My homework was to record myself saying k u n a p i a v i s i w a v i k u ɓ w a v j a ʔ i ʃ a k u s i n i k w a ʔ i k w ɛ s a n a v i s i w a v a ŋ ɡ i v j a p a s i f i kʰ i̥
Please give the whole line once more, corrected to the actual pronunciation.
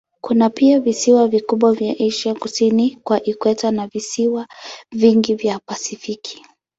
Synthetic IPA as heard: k u n a p i a v i s i w a v i k u ɓ w a v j a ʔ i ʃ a k u s i n i k w a ʔ i k w ɛ t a n a v i s i w a v i ŋ ɡ i v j a p a s i f i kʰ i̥